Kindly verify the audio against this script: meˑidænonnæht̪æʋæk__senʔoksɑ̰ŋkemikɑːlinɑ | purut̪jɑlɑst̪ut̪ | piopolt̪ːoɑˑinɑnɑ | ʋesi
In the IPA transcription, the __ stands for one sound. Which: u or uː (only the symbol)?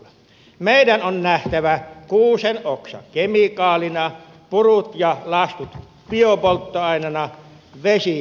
uː